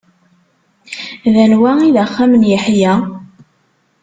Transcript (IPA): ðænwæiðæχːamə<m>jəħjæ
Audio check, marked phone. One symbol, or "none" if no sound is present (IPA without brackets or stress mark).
n